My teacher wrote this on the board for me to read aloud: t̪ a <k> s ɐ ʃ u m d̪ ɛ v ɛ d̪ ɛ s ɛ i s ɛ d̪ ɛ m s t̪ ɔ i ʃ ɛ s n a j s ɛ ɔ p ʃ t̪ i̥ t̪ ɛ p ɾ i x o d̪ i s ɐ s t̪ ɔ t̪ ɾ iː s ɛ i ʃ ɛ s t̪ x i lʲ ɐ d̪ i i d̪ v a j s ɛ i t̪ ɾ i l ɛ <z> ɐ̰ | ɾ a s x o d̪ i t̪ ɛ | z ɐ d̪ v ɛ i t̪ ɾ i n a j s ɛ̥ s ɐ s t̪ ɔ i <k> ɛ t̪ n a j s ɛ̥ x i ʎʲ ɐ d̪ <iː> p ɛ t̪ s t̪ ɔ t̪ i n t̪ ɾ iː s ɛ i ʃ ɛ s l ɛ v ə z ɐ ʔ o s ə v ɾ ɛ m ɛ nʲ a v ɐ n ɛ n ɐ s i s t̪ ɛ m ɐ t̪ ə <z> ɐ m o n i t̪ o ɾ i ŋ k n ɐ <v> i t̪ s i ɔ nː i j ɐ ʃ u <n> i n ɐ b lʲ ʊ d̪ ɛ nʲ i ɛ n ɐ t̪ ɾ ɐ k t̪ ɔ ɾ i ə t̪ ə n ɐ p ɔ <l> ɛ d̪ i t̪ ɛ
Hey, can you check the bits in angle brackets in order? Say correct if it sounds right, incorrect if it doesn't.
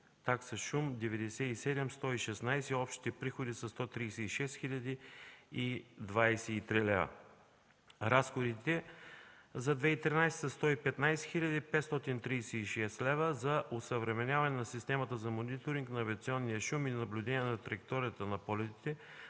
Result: correct, incorrect: v, incorrect: p, incorrect: i, correct, correct, incorrect: m, correct

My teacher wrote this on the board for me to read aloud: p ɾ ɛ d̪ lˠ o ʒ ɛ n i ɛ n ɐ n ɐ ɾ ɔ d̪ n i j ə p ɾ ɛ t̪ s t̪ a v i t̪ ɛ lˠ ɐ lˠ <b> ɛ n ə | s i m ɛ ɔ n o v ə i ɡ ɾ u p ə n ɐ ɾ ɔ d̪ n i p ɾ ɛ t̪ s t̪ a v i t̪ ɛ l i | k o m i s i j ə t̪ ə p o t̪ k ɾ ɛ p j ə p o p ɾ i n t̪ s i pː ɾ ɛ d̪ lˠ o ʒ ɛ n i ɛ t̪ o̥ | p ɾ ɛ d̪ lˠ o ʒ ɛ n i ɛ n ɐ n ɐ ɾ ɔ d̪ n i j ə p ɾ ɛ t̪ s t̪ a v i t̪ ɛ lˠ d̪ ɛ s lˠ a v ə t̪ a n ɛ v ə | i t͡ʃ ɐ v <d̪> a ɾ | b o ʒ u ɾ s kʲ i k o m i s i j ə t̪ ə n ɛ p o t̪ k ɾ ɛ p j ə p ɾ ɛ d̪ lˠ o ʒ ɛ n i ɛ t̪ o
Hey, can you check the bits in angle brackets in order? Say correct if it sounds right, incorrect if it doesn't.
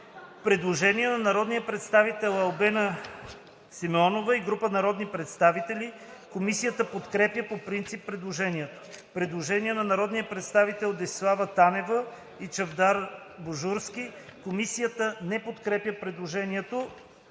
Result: correct, correct

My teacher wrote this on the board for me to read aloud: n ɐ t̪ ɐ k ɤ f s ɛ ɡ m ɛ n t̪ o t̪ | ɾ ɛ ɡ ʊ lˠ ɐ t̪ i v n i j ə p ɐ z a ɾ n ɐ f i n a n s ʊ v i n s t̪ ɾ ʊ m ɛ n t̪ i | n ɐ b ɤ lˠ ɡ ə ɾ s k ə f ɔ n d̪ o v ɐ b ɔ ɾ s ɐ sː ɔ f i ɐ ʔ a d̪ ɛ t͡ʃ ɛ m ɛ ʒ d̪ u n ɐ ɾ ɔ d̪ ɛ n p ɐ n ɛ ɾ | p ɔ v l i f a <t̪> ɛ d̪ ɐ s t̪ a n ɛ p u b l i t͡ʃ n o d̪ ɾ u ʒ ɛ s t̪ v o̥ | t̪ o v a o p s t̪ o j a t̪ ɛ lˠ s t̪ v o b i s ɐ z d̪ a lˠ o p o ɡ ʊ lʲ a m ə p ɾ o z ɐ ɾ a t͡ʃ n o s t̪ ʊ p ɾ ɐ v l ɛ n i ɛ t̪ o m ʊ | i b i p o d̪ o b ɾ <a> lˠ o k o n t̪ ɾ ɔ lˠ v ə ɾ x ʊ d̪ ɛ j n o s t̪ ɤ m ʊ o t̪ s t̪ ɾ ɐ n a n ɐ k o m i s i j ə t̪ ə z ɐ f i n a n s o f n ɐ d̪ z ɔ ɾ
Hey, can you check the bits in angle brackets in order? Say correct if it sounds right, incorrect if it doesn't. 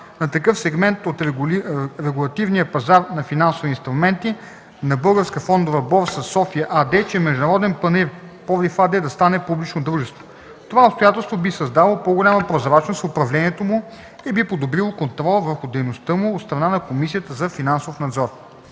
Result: incorrect: d̪, incorrect: i

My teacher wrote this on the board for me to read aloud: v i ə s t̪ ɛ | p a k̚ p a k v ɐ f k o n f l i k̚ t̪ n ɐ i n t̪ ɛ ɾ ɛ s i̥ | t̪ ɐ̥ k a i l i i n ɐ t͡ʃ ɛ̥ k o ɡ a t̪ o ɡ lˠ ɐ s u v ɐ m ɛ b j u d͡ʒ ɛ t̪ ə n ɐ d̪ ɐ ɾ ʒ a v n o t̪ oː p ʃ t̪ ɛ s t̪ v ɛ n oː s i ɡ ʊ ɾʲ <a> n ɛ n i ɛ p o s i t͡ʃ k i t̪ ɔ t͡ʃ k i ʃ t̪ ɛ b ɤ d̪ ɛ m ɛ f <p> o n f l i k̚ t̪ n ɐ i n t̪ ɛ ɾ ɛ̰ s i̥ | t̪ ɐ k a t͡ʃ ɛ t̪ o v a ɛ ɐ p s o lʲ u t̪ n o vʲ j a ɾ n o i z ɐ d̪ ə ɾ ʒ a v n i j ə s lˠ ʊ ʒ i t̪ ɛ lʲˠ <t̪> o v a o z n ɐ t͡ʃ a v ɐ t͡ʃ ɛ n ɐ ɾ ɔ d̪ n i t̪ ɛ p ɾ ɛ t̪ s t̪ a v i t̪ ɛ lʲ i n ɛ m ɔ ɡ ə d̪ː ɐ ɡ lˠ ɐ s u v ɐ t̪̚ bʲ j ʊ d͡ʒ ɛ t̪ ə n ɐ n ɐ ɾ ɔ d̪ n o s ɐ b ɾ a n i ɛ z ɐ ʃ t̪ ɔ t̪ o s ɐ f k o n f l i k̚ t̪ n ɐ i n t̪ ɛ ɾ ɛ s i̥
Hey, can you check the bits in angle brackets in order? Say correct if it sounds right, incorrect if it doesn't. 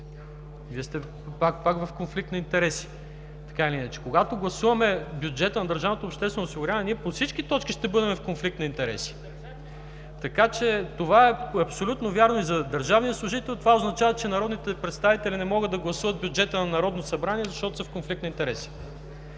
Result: correct, incorrect: k, correct

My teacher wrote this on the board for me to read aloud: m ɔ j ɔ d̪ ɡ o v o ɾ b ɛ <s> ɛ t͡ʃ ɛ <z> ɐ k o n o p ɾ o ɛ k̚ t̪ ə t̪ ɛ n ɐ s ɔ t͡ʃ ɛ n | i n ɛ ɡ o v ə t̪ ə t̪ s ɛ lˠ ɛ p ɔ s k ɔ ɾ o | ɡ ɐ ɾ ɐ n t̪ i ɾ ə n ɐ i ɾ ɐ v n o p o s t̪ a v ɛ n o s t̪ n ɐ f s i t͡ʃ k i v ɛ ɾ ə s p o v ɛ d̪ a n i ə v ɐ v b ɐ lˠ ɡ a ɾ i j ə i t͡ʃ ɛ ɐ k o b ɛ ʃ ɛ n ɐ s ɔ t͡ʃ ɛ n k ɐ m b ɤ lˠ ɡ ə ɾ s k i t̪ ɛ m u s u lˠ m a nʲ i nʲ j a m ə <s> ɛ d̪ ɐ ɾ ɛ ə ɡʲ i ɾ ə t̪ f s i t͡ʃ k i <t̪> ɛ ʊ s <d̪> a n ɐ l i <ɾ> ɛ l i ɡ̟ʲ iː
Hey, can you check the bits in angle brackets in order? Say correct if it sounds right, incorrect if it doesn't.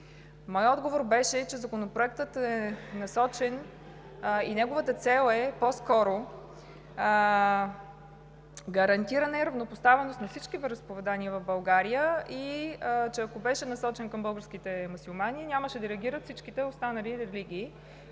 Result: incorrect: ʃ, correct, incorrect: ʃ, correct, incorrect: t̪, correct

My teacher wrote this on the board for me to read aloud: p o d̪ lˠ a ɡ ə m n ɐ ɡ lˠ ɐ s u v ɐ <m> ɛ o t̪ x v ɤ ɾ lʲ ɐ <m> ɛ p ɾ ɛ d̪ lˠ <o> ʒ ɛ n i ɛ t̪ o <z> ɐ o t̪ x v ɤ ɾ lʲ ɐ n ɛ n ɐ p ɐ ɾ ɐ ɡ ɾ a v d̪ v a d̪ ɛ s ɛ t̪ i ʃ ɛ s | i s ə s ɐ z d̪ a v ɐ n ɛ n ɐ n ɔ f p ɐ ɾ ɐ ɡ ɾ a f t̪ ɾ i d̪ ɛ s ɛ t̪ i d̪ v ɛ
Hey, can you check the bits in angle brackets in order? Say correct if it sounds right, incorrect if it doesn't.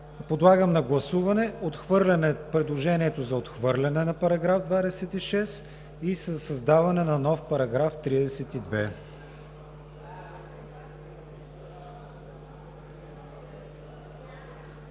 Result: incorrect: n, incorrect: n, correct, correct

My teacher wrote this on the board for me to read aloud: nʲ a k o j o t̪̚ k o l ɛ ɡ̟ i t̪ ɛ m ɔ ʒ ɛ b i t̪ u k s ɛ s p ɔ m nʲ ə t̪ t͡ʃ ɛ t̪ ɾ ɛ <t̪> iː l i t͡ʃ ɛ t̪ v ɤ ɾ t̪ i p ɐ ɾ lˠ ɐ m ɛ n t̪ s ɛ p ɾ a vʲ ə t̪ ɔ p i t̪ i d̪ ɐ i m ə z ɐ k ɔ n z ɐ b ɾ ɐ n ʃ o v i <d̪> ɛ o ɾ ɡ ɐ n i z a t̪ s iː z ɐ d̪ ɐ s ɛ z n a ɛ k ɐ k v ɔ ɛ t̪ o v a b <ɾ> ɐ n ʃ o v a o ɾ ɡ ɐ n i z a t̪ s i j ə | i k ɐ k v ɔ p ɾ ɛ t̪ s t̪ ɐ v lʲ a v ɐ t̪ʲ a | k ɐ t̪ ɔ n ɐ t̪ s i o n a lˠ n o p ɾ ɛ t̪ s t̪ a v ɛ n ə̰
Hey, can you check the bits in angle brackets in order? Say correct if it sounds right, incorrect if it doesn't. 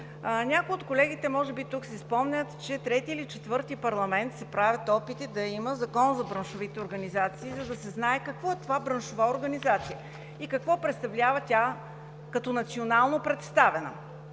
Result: correct, incorrect: t̪, correct

